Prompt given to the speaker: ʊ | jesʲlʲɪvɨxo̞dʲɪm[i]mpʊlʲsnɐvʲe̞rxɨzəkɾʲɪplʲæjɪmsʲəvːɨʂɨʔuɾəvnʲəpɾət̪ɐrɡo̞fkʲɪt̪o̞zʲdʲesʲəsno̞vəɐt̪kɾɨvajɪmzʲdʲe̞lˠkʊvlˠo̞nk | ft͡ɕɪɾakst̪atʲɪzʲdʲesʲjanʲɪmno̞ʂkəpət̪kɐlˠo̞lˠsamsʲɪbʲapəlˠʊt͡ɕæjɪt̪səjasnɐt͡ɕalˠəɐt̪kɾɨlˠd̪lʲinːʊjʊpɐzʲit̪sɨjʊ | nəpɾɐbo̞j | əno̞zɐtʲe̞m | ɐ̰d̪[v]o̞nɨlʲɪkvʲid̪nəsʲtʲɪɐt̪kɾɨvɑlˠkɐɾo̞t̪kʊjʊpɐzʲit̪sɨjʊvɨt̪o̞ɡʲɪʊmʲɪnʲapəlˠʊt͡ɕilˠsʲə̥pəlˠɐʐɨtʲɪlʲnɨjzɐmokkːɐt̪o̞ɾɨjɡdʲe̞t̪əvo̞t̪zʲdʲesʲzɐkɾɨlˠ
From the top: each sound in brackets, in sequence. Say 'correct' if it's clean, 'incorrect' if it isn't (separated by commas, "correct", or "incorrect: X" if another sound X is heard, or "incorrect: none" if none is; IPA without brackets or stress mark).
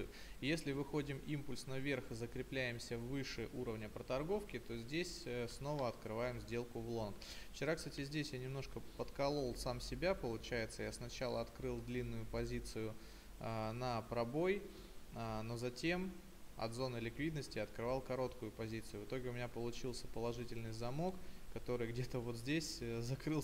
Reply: correct, incorrect: z